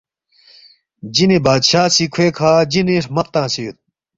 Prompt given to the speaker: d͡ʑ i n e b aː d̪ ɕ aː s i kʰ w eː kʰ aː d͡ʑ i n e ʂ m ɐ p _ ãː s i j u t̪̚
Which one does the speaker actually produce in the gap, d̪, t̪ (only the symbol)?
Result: t̪